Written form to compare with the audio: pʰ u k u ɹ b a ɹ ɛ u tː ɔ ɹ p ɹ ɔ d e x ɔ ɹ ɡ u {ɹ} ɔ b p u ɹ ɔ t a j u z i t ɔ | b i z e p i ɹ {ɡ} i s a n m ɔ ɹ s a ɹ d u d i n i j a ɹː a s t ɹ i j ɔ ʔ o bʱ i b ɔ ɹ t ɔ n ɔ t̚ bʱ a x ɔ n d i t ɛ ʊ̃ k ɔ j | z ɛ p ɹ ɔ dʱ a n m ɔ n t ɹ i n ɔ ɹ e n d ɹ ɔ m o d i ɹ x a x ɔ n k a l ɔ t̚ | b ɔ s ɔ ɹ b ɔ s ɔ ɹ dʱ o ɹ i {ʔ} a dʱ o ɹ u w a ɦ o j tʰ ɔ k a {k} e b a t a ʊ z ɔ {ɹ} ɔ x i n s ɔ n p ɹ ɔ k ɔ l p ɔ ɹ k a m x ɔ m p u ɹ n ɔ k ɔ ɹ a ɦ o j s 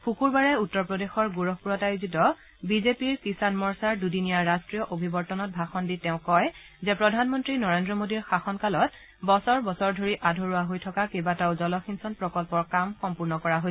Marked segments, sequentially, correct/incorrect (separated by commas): correct, incorrect, correct, correct, incorrect